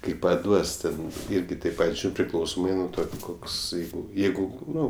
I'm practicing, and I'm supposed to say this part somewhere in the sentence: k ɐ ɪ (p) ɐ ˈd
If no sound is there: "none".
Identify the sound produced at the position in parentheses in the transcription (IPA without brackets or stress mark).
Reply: p